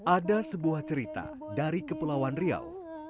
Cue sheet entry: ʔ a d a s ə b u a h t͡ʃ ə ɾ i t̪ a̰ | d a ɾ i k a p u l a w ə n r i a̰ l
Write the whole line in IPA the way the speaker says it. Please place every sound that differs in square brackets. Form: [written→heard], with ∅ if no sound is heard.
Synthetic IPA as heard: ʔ a d a s ə b u a h t͡ʃ ə ɾ i t̪ a̰ | d a ɾ i k [a→ə] p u l a w [ə→a] n r i a̰ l

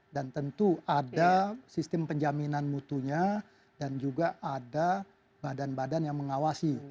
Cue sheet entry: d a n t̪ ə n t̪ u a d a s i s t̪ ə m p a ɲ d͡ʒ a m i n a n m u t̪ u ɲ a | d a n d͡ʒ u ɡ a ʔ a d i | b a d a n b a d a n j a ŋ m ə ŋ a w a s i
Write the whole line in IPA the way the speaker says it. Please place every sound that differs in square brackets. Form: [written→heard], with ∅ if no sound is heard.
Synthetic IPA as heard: d a n t̪ ə n t̪ u a d a s i s t̪ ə m p [a→ə] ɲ d͡ʒ a m i n a n m u t̪ u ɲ a | d a n d͡ʒ u ɡ a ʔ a d [i→a] | b a d a n b a d a n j a ŋ m ə ŋ a w a s i

